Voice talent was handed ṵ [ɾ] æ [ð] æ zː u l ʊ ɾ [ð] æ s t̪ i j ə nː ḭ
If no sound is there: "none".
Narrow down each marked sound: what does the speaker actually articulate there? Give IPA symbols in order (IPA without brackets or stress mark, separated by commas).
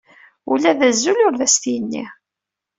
l, ð, ð